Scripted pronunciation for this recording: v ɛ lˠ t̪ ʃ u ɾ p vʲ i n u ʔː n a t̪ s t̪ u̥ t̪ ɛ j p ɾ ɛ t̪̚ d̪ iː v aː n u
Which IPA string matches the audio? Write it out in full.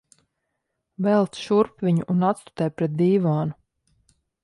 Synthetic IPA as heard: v ɛ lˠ t̪ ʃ u ɾ p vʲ i ɲ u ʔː n a t̪ s t̪ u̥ t̪ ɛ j p ɾ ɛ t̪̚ d̪ iː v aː n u